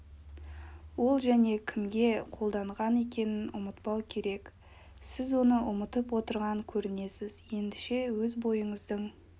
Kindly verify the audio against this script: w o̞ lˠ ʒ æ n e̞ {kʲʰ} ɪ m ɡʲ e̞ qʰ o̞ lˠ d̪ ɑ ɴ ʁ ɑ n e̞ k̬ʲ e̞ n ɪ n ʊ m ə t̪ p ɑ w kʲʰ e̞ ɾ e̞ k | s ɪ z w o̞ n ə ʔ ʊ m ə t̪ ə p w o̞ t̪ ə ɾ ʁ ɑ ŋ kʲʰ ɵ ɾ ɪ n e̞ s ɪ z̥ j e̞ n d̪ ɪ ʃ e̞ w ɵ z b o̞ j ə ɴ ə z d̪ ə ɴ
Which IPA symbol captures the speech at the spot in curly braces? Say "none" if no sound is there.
kʲʰ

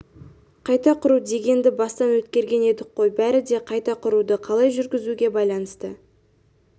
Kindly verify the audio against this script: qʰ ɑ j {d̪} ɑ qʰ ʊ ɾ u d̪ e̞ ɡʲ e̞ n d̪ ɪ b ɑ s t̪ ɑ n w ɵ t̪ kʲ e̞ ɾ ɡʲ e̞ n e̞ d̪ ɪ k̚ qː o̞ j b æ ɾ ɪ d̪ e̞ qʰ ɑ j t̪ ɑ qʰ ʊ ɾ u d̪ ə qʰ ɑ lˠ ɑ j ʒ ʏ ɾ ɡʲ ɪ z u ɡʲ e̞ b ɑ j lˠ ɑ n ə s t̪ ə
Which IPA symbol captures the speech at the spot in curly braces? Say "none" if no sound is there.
t̪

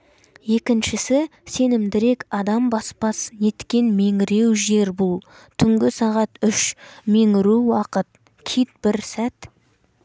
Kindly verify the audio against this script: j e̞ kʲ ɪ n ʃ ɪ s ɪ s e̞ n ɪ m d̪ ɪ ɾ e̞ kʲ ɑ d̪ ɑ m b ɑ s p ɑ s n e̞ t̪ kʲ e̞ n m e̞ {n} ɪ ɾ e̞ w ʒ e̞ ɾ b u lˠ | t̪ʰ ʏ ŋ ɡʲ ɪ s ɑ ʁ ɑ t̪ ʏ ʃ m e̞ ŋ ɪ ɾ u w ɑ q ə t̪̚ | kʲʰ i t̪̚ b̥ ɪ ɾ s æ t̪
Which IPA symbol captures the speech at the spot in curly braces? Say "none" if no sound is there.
ŋ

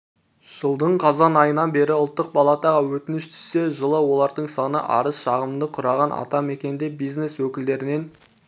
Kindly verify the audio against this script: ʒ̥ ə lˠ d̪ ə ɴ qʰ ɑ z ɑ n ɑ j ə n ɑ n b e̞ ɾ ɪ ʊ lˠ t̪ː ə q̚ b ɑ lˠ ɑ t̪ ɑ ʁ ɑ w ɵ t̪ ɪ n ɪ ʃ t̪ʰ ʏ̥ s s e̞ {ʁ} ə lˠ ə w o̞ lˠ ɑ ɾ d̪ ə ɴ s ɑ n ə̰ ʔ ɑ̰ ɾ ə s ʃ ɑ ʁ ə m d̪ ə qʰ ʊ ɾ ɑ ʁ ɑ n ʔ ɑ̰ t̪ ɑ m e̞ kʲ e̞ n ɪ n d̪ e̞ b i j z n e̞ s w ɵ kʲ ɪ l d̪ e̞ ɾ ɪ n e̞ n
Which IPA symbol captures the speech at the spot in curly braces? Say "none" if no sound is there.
ʒ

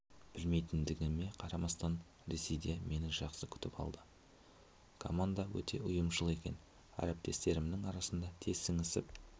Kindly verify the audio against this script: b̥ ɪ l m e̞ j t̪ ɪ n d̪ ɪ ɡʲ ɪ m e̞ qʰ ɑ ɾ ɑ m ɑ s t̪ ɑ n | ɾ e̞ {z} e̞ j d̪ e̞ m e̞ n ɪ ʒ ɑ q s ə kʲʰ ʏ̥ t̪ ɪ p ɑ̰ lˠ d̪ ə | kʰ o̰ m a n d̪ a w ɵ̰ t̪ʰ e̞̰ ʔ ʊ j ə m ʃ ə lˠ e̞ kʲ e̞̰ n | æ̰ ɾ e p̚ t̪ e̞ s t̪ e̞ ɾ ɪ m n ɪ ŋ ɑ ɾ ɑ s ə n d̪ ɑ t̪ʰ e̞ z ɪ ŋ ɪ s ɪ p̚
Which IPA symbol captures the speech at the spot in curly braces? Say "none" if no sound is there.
s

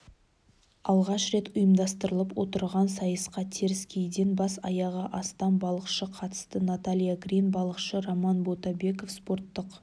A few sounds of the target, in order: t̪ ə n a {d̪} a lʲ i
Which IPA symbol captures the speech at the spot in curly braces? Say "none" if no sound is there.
t̪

